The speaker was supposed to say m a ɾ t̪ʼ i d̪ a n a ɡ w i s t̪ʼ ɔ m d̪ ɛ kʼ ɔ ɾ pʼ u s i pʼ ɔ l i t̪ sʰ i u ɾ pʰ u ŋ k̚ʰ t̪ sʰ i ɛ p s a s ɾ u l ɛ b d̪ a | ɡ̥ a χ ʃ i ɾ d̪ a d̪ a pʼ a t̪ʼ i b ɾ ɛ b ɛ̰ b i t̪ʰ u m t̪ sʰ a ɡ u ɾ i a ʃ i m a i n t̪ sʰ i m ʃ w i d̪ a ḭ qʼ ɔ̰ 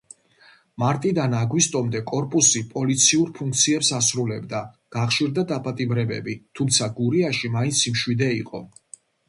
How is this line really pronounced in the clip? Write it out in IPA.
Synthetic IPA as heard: m a ɾ t̪ʼ i d̪ a n a ɡ w i s t̪ʼ ɔ m d̪ ɛ kʼ ɔ ɾ pʼ u s i pʼ ɔ l i t̪ sʰ i u ɾ pʰ u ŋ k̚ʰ t̪ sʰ i ɛ p s a s ɾ u l ɛ b d̪ a | ɡ̥ a χ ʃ i ɾ d̪ a d̪ a pʼ a t̪ʼ i b ɾ ɛ b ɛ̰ b i t̪ʰ u m t̪ sʰ a ɡ u ɾ i a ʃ i m a i n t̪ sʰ i m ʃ w i d̪ ɛ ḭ qʼ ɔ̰